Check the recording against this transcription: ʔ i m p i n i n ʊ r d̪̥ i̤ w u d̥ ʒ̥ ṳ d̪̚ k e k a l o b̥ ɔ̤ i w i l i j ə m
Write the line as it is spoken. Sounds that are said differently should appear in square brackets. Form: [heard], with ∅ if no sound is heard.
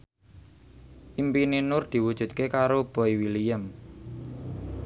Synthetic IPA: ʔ i m p i n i n ʊ r d̪̥ i̤ w u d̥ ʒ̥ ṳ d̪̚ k e k a [ɾ] o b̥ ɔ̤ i w i l i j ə m

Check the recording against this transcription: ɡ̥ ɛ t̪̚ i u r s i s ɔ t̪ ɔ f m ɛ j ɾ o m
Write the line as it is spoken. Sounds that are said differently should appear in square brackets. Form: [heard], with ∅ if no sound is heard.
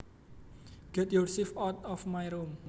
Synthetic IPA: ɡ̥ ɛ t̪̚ [j] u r s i [f] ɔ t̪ ɔ f m [a] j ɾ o m

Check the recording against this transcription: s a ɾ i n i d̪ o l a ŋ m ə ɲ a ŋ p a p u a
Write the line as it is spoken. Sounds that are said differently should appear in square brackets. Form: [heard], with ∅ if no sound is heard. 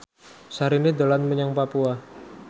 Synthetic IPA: s a ɾ i n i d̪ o l a [n] m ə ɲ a ŋ p a p u a

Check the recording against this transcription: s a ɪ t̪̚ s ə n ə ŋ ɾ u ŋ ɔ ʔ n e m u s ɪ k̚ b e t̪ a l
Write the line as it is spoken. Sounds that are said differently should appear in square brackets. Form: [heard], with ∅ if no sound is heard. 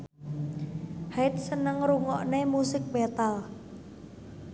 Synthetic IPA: [h] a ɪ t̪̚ s ə n ə ŋ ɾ u ŋ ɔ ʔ n e m u s ɪ k̚ b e t̪ a l

